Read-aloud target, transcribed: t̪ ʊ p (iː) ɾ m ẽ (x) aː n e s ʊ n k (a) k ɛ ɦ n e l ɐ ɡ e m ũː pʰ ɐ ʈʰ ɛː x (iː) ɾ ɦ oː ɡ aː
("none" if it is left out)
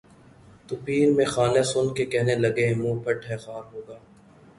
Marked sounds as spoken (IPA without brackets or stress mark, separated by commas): iː, x, e, aː